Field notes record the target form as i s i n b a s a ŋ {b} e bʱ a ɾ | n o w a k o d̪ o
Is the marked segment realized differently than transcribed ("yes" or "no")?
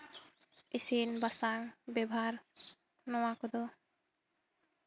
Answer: no